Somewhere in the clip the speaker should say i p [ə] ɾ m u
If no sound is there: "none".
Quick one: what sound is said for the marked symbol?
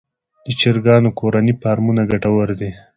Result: ɑ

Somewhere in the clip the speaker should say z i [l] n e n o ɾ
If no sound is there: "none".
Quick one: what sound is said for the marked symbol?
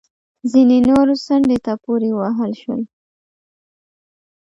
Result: none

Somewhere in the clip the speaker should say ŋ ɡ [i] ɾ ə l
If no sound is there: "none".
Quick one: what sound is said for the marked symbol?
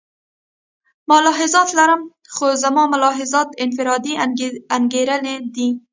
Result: e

